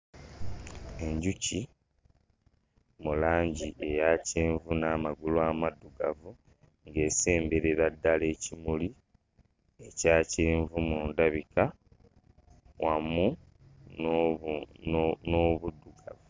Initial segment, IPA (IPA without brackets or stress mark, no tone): e̞